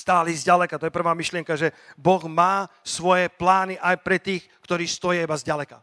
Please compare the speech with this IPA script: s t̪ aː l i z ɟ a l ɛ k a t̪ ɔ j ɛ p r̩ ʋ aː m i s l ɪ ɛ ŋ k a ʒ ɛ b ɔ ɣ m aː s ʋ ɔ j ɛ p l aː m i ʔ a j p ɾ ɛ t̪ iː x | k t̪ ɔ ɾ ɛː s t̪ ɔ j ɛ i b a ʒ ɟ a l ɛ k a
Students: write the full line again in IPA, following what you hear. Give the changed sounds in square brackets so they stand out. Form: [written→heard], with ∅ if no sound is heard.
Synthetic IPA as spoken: s t̪ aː l i z ɟ a l ɛ k a t̪ ɔ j ɛ p r̩ ʋ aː m i [s→ʃ] l ɪ ɛ ŋ k a ʒ ɛ b ɔ ɣ m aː s ʋ ɔ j ɛ p l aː [m→n] i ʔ a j p ɾ ɛ t̪ iː x | k t̪ ɔ ɾ [ɛː→iː] s t̪ ɔ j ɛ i b a [ʒ→z] ɟ a l ɛ k a